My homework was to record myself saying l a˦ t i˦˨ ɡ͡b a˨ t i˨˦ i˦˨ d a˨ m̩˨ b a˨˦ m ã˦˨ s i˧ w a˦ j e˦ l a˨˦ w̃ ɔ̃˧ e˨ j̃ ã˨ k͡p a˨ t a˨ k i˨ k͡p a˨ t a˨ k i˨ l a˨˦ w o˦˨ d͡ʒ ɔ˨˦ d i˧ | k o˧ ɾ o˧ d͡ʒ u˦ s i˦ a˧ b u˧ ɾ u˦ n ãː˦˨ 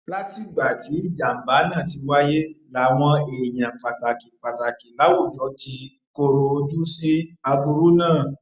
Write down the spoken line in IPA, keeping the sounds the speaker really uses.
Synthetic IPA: l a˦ t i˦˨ ɡ͡b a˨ t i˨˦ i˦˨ d͡ʒ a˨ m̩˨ b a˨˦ n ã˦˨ t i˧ w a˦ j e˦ l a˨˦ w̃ ɔ̃˧ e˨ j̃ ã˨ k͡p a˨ t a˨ k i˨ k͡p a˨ t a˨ k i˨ l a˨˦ w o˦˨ d͡ʒ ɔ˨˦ t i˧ | k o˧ ɾ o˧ d͡ʒ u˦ s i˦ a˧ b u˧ ɾ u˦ n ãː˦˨